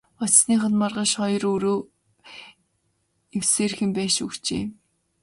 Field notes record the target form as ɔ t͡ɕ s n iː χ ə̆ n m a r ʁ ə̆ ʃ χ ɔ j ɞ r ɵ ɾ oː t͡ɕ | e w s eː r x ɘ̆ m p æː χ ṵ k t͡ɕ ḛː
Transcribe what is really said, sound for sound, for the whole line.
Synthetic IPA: ɔ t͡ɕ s n iː χ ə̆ n m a r ʁ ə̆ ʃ χ ɔ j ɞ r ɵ ɾ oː | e w s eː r x ɘ̆ m p æː ʃ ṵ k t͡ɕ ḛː